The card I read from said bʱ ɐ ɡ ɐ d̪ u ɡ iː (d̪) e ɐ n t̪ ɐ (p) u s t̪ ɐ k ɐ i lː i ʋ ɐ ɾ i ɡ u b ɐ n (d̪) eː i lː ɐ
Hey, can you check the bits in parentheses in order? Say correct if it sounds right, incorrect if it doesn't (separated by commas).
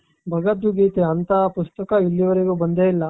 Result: incorrect, correct, correct